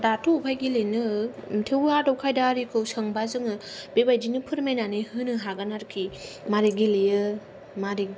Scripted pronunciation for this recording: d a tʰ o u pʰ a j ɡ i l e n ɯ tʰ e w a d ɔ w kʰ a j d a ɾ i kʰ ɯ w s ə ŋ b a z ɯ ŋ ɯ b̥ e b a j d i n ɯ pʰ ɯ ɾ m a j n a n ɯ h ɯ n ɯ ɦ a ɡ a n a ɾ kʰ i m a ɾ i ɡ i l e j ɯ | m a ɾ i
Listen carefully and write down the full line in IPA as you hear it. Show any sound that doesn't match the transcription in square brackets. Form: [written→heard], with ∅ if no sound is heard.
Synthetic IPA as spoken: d a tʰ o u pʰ a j ɡ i l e n ɯ tʰ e w a d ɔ w kʰ a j d a ɾ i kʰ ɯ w s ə ŋ b a z ɯ ŋ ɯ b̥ e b a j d i n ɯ pʰ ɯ ɾ m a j n a n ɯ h ɯ n ɯ ɦ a ɡ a n a ɾ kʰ i m a ɾ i ɡ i l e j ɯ | m a ɾ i